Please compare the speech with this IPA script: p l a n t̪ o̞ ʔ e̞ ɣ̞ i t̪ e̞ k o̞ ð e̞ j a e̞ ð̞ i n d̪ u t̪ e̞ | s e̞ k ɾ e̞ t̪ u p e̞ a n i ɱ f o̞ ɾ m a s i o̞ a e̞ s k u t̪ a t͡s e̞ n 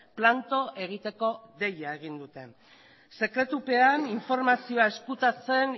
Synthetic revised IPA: p l a n t̪ o̞ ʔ e̞ ɣ̞ i t̪ e̞ k o̞ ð e̞ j a e̞ ɣ̞ i n d̪ u t̪ e̞ | s e̞ k ɾ e̞ t̪ u p e̞ a n i ɱ f o̞ ɾ m a s i o̞ a e̞ s k u t̪ a t͡s e̞ n